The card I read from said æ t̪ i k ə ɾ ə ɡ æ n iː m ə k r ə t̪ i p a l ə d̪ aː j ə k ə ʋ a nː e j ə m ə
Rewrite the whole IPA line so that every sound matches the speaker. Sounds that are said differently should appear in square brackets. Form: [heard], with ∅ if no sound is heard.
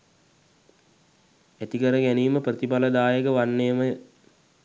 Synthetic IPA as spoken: æ t̪ i k ə ɾ ə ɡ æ n iː m ə [p] r ə t̪ i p a l ə d̪ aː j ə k ə ʋ a nː e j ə m ə